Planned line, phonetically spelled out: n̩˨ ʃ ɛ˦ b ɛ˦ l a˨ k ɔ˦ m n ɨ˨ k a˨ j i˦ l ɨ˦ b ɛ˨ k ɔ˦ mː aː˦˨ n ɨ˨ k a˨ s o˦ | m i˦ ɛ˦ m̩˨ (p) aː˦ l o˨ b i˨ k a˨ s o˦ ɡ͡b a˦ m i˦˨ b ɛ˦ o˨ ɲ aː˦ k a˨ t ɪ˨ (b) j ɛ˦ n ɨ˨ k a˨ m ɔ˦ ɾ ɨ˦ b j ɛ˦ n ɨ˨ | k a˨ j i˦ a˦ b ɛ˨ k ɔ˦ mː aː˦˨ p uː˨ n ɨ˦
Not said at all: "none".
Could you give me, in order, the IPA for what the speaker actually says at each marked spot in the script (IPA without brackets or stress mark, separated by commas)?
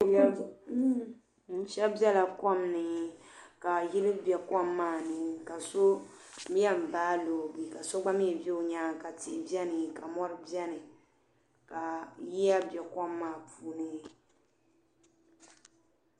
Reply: b, b